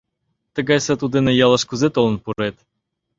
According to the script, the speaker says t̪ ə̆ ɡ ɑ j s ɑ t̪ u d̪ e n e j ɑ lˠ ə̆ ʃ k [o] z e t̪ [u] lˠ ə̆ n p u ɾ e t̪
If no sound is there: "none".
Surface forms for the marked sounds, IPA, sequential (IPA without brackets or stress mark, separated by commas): u, o